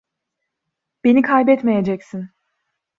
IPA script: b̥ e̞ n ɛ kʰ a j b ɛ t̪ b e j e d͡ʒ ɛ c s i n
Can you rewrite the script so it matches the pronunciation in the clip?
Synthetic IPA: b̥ e̞ n i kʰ a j b ɛ t̪ m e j e d͡ʒ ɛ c s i n